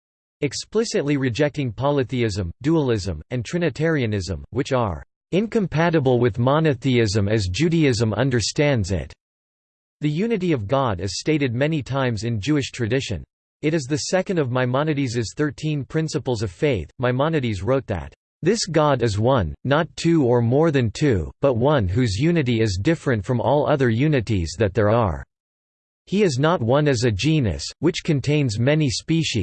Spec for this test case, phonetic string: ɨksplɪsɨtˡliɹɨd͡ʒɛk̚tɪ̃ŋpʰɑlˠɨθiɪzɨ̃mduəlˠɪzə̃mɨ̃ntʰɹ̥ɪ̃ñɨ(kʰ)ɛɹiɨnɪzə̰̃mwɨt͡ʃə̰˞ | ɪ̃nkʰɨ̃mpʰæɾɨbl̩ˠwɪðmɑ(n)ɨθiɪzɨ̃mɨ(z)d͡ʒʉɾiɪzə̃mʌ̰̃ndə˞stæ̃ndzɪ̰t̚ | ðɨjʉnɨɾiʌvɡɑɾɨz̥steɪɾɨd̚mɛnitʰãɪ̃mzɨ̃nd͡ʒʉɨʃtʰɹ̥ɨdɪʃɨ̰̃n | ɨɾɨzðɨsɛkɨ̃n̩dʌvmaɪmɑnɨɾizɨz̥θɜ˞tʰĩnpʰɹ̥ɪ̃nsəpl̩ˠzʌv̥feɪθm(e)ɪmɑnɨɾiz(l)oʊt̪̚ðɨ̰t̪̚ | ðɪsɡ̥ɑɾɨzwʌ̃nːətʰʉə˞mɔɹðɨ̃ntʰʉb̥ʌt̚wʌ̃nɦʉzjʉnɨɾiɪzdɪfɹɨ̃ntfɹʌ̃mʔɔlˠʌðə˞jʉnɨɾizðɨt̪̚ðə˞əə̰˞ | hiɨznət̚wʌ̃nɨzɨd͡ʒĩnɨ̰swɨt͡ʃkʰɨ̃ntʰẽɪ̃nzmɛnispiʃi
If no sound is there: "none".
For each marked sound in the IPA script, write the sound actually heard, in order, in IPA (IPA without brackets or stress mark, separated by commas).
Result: tʰ, n, z, a, ɹ